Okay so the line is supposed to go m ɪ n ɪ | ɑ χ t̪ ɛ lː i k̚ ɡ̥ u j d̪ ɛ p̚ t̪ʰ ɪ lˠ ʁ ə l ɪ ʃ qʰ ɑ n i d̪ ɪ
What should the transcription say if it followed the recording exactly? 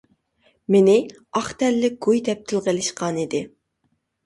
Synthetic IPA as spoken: m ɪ n ɪ | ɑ χ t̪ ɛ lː ɪ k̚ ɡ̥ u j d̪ ɛ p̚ t̪ʰ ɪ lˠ ʁ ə l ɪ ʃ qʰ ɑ n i d̪ ɪ